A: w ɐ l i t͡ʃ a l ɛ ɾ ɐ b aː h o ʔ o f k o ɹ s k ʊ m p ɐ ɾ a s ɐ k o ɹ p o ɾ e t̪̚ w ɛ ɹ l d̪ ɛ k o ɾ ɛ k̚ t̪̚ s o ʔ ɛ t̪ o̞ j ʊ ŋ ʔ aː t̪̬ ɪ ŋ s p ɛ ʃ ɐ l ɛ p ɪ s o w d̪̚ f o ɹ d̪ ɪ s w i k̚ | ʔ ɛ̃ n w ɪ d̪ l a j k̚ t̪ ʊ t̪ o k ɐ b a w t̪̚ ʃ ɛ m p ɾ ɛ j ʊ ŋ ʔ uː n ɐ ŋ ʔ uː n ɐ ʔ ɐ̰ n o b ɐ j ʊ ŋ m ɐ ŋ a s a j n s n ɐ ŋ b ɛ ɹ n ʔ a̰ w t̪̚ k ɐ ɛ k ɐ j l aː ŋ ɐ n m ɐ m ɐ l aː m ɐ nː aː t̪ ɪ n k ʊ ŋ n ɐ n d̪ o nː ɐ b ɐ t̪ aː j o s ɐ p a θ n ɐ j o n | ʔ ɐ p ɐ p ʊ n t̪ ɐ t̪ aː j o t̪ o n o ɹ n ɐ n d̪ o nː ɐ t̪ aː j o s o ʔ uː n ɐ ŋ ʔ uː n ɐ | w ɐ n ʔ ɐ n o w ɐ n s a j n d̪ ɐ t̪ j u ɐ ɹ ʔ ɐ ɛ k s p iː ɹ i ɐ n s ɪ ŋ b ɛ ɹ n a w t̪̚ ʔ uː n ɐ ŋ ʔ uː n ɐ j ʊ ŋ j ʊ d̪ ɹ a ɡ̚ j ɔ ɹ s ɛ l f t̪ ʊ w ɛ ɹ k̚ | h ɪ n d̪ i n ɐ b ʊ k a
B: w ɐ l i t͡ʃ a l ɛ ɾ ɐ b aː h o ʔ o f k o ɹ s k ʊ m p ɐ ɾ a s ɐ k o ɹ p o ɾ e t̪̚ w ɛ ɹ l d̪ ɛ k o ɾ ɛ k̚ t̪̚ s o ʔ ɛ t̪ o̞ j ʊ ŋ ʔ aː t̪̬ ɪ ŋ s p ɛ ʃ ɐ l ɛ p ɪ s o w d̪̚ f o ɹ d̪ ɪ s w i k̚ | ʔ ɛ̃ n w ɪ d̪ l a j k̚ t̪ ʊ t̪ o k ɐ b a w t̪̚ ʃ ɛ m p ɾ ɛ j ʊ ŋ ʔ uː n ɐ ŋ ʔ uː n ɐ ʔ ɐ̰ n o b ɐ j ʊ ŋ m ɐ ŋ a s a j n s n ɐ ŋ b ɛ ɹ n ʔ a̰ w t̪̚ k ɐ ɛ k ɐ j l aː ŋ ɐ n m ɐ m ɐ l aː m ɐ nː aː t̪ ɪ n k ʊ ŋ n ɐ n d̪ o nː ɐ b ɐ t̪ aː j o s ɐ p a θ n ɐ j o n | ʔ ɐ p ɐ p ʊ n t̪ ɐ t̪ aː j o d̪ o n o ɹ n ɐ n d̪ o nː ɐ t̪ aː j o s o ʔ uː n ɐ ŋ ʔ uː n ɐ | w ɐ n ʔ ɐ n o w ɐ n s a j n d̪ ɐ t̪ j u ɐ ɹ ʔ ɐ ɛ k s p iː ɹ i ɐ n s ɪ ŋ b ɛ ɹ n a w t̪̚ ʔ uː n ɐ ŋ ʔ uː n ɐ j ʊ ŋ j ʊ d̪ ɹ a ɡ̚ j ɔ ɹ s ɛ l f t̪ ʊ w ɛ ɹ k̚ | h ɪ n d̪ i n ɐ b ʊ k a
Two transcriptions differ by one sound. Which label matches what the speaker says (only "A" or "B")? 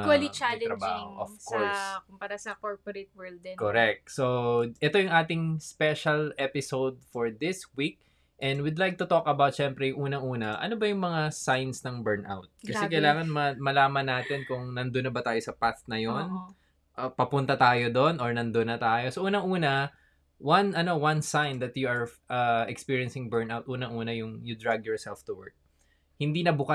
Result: B